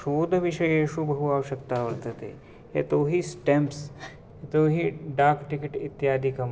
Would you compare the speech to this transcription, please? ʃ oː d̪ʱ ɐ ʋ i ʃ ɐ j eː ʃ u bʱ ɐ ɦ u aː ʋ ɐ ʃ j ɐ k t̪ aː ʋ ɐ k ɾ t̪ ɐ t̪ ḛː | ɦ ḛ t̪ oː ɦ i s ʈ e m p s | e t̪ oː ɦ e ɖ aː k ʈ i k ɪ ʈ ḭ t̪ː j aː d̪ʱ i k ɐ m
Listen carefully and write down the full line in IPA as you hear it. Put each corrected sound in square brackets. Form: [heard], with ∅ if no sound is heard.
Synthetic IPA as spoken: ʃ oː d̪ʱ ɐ ʋ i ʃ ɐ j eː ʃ u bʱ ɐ ɦ u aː ʋ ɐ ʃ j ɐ k t̪ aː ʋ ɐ [∅] ɾ t̪ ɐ t̪ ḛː | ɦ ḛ t̪ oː ɦ i s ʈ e m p s | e t̪ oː ɦ [i] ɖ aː k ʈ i k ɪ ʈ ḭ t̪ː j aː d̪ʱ i k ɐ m